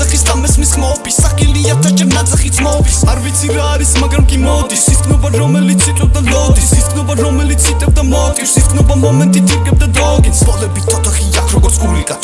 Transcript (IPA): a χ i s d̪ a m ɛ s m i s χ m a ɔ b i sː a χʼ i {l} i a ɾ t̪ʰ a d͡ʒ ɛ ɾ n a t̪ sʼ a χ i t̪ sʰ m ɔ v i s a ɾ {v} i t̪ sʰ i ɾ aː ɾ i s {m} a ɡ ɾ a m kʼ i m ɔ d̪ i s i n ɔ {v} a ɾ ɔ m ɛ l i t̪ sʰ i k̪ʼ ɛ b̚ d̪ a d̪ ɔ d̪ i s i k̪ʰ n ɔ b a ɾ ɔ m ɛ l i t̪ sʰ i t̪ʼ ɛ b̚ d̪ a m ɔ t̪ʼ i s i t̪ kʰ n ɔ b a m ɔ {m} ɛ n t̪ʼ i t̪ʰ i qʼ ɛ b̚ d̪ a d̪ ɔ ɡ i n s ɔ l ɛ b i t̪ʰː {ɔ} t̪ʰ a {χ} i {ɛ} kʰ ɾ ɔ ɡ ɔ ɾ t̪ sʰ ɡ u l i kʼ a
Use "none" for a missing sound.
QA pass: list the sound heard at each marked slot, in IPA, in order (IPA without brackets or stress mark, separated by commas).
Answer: l, v, m, b, m, ɔ, χ, a